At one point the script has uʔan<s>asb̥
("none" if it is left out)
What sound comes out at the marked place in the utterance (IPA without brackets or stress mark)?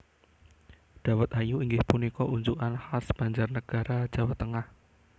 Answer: h